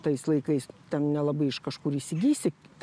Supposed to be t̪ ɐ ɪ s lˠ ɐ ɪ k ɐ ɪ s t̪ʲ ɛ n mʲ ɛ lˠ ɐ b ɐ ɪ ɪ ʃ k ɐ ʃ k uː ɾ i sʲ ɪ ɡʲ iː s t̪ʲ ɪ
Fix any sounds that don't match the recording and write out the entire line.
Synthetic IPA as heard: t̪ ɐ ɪ s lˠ ɐ ɪ k ɐ ɪ s t̪ʲ ɛ n nʲ ɛ lˠ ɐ b ɐ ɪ ɪ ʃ k ɐ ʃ k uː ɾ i sʲ ɪ ɡʲ iː s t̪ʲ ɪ